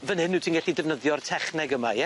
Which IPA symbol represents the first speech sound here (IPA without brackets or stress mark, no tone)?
v